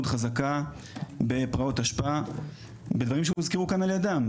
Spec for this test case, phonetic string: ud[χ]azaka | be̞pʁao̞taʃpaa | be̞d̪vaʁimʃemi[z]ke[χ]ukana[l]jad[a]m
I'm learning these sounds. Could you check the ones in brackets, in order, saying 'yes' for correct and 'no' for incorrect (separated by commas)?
yes, yes, no, yes, yes